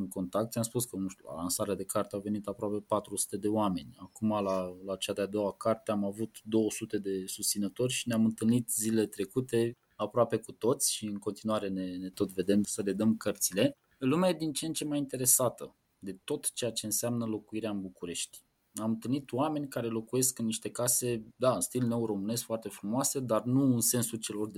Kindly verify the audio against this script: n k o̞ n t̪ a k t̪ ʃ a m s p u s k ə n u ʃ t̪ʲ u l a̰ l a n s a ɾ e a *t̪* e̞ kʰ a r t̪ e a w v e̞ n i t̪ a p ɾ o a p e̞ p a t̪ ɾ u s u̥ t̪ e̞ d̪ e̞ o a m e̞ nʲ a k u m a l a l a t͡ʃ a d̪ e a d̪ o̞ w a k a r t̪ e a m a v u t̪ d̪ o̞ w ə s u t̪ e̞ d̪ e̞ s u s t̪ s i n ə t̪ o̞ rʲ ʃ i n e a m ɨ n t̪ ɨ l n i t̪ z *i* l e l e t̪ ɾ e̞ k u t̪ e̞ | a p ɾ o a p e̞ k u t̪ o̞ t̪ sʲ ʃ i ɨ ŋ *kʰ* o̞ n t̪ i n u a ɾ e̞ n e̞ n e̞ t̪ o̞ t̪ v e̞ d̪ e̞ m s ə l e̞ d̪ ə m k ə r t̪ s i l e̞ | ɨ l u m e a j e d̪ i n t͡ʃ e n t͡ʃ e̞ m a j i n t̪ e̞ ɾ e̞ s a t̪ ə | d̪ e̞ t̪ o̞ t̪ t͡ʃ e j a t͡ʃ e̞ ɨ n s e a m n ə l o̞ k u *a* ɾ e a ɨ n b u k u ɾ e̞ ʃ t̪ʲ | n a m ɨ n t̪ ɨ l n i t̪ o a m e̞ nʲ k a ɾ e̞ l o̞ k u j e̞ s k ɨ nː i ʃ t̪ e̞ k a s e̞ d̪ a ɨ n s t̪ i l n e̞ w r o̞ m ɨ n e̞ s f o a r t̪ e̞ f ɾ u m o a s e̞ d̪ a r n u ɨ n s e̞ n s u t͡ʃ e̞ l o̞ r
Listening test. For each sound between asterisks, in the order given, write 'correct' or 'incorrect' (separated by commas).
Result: incorrect, correct, incorrect, incorrect